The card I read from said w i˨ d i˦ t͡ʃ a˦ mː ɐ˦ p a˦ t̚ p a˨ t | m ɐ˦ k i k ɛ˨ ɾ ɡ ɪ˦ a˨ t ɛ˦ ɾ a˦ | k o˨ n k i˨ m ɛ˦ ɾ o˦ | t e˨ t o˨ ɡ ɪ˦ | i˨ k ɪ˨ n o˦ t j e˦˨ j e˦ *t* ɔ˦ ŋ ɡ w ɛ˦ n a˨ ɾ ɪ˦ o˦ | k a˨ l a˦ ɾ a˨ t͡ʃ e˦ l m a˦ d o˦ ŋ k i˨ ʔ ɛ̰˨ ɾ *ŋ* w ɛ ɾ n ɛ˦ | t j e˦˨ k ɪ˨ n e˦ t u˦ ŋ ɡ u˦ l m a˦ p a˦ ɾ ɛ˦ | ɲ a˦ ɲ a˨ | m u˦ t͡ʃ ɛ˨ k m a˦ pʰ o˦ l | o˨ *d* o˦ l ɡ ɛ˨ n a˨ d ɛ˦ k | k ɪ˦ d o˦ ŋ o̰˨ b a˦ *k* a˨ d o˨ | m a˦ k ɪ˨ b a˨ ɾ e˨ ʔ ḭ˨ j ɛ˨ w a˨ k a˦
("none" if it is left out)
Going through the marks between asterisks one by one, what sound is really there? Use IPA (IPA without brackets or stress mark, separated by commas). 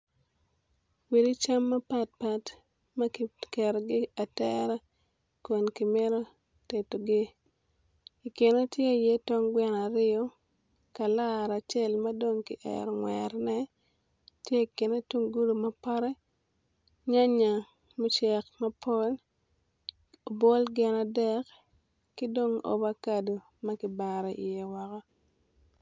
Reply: t, ŋ, b, k